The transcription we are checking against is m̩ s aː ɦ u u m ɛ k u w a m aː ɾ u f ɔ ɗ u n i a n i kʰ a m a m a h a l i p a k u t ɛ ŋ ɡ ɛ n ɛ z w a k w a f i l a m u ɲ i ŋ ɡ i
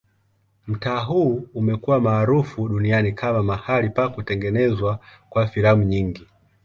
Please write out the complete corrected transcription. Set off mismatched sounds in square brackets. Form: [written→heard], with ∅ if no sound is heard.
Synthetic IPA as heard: m̩ [s→t] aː ɦ u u m ɛ k u w a m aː ɾ u f [ɔ→u] ɗ u n i a n i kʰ a m a m a h a l i p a k u t ɛ ŋ ɡ ɛ n ɛ z w a k w a f i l a m u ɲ i ŋ ɡ i